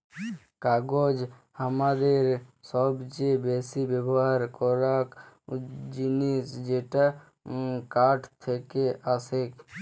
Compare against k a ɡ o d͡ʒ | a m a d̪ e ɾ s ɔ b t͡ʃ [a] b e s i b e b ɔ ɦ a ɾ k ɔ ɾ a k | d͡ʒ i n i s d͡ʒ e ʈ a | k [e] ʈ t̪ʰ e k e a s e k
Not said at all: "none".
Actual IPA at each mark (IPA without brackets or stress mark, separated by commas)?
e, a